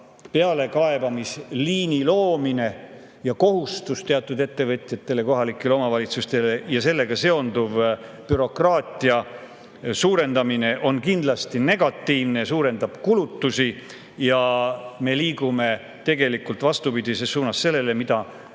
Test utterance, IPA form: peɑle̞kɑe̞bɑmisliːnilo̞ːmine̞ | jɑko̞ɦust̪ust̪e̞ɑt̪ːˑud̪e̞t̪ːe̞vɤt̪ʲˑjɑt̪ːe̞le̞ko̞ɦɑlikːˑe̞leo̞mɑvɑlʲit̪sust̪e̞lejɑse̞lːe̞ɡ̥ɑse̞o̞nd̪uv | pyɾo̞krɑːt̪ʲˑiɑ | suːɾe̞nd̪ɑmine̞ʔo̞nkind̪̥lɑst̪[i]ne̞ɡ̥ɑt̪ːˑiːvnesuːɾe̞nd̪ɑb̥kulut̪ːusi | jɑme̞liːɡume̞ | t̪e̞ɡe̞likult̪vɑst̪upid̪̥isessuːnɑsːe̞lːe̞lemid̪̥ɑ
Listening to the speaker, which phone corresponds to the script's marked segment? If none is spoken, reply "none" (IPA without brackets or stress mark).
i